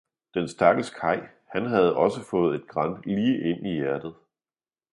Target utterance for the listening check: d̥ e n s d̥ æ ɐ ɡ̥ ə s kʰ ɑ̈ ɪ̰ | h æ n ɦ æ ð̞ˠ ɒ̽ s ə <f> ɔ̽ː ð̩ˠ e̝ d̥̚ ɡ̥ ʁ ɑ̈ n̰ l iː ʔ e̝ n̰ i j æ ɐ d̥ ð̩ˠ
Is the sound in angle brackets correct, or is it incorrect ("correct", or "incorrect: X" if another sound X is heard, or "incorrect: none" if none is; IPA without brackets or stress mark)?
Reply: correct